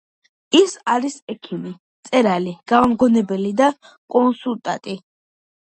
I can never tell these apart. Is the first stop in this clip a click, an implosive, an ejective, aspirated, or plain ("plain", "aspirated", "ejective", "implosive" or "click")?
aspirated